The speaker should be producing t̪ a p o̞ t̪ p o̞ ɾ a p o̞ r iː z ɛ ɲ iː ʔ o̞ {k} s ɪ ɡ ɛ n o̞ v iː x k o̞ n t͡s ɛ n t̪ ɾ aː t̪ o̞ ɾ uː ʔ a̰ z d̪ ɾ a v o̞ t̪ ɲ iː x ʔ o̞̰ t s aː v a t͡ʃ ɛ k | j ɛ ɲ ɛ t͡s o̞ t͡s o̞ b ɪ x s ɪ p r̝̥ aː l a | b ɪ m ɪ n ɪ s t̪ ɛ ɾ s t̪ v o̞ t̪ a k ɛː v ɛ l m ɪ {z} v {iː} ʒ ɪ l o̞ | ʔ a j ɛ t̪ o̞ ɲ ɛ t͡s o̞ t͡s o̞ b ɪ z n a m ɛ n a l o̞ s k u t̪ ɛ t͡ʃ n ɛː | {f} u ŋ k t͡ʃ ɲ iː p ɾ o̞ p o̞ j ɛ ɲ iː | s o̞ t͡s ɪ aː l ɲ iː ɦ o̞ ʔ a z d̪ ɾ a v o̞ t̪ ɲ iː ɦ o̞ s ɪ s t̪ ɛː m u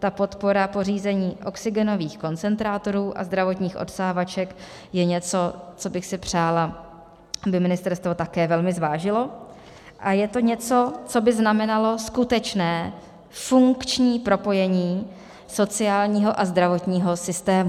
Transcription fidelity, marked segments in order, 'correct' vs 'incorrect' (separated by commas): correct, correct, incorrect, correct